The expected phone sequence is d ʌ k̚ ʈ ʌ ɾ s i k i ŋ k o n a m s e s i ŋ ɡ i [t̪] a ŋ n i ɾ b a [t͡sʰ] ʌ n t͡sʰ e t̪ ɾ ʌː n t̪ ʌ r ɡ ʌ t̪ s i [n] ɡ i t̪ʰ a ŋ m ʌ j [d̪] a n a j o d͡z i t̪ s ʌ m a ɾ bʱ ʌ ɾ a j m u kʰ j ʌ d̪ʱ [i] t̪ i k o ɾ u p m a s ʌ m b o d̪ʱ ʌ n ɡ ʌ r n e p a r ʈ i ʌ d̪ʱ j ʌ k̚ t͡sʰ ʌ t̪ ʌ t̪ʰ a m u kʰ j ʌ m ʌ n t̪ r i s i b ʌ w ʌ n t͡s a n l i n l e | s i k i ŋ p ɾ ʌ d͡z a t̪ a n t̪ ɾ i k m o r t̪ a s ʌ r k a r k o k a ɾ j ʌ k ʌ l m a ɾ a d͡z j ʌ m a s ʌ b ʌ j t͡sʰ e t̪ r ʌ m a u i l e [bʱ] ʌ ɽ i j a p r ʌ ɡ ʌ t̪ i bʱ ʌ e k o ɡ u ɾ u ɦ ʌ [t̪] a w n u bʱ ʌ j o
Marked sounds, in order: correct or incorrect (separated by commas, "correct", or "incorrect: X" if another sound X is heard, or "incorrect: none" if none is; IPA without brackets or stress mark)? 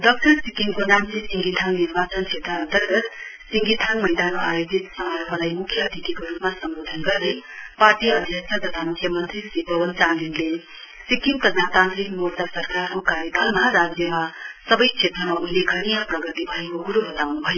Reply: incorrect: t̪ʰ, incorrect: t͡s, incorrect: ŋ, correct, correct, incorrect: ɡʱ, correct